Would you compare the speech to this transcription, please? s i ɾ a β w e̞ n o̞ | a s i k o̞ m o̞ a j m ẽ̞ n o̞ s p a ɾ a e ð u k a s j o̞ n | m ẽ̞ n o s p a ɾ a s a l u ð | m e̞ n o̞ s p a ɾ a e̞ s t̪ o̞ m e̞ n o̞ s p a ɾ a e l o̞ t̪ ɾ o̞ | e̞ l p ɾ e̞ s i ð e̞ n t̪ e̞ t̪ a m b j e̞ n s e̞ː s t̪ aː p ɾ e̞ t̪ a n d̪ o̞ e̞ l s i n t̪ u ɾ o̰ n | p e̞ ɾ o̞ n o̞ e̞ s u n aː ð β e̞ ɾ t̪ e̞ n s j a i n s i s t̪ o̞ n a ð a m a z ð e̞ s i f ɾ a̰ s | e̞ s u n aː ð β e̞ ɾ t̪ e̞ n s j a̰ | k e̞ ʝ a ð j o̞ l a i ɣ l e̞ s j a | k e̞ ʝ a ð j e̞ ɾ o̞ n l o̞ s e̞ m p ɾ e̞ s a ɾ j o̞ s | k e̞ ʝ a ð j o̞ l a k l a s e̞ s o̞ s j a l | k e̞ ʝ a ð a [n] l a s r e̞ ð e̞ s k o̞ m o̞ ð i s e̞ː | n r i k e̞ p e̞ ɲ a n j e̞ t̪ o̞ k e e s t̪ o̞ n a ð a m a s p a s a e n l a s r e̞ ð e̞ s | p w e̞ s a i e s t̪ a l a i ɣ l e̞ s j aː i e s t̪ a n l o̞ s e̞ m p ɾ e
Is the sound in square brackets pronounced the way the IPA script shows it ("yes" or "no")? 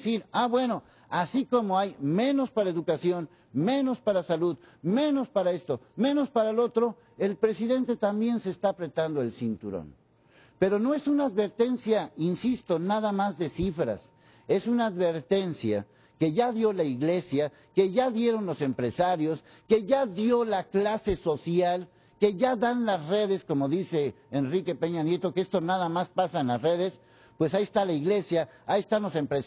yes